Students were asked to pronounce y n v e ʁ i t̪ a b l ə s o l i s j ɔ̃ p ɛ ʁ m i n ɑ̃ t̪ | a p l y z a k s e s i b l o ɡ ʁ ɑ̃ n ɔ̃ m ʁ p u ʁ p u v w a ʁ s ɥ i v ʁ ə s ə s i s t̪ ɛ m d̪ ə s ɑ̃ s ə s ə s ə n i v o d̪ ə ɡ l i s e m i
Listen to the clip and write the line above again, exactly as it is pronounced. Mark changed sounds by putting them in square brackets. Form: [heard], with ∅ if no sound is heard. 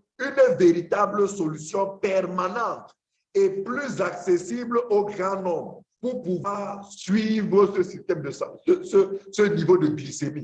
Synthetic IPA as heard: y n v e ʁ i t̪ a b l ə s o l [y] s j ɔ̃ p ɛ ʁ m [a] n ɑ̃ t̪ | [e] p l y z a k s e s i b l o ɡ ʁ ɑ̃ n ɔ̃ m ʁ p u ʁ p u v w a ʁ s ɥ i v ʁ ə s ə s i s t̪ ɛ m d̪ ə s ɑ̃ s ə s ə s ə n i v o d̪ ə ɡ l i s e m i